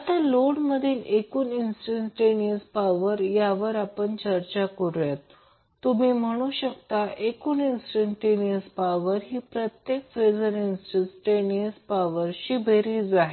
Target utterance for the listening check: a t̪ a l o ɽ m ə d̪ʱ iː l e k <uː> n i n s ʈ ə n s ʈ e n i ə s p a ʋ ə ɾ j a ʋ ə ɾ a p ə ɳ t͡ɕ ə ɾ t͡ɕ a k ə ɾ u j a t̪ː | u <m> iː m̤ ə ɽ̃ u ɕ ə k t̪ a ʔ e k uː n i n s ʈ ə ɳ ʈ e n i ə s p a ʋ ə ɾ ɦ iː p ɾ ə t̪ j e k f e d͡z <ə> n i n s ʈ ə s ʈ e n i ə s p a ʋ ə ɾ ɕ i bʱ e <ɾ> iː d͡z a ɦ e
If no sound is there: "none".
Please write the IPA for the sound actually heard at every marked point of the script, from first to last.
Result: uː, m, ə, ɾ

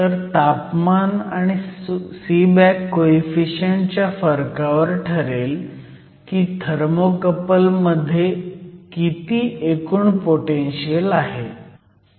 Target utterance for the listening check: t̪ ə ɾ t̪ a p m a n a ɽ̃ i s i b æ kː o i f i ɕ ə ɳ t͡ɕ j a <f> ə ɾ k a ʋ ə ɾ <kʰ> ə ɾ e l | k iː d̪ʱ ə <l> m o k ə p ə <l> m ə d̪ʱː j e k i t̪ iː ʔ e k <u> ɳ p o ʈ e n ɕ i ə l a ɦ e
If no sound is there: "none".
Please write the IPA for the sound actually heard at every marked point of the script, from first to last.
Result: f, ʈʰ, ɾ, l, uː

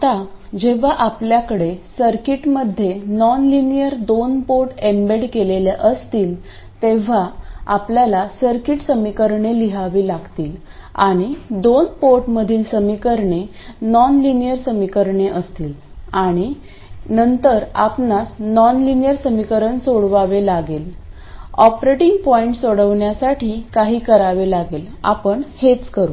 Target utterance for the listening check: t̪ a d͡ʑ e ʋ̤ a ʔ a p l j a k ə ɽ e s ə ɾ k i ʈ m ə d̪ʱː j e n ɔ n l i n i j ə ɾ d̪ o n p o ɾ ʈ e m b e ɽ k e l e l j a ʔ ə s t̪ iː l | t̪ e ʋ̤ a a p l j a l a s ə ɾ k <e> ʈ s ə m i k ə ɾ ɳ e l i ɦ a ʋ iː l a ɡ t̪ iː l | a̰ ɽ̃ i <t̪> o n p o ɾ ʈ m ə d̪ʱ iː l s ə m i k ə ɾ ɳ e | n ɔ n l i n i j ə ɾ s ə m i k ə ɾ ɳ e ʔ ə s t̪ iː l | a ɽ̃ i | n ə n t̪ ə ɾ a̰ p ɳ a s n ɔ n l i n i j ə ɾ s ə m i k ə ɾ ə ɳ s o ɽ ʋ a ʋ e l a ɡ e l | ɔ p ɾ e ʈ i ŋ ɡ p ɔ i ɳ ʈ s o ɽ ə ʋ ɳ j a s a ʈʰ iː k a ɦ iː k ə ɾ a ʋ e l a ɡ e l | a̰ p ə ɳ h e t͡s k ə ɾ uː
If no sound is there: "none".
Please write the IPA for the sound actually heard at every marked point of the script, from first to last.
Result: i, d̪

